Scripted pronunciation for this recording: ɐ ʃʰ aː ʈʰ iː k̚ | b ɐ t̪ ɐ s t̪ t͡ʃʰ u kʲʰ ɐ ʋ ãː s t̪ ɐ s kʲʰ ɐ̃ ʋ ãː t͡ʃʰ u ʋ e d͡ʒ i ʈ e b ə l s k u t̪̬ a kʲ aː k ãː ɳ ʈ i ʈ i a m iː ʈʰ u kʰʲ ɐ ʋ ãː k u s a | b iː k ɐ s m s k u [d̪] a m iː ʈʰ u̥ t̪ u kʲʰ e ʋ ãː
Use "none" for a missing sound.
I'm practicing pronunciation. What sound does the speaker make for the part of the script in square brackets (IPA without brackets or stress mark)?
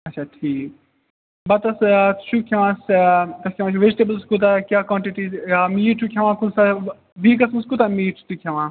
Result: t̪